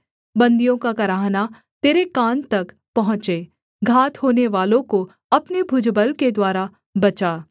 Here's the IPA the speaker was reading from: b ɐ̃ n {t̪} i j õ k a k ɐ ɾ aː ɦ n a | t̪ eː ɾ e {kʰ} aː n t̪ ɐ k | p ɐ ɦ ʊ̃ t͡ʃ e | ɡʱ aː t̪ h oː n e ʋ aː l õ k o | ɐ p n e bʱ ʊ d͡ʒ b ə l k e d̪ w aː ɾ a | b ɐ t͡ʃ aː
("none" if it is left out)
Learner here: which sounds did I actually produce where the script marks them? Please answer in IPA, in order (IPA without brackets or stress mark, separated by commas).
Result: d̪, k